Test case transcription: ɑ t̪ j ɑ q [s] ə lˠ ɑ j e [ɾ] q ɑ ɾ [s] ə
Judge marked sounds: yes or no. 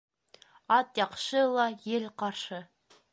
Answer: no, no, no

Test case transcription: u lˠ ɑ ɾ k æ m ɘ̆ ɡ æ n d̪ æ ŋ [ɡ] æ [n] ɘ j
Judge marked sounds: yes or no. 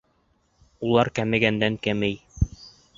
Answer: no, no

